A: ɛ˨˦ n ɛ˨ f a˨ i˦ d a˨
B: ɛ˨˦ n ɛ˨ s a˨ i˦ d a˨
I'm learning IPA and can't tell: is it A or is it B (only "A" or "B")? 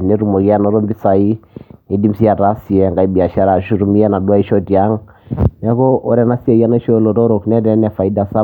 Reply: A